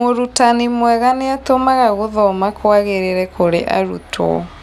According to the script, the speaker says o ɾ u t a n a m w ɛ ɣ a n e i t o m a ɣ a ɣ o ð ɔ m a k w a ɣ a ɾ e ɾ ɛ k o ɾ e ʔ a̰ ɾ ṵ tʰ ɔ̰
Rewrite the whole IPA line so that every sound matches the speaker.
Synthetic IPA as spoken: o ɾ u t a n i m w ɛ ɣ a n e a t o m a ɣ a ɣ o ð ɔ m a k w a ɣ e ɾ e ɾ ɛ k o ɾ e ʔ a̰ ɾ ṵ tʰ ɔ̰